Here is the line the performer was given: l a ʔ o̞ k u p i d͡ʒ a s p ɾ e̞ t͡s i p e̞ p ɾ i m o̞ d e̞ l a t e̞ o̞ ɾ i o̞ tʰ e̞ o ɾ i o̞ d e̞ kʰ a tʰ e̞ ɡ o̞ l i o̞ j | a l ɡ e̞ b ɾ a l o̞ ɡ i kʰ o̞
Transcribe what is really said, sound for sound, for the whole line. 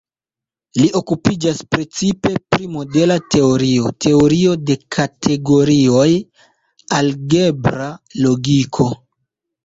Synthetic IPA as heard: l i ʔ o̞ k u p i d͡ʒ a s p ɾ e̞ t͡s i p e̞ p ɾ i m o̞ d e̞ l a t e̞ o̞ ɾ i o̞ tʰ e̞ o ɾ i o̞ d e̞ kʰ a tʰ e̞ ɡ o̞ ɾ i o̞ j | a l ɡ e̞ b ɾ a l o̞ ɡ i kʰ o̞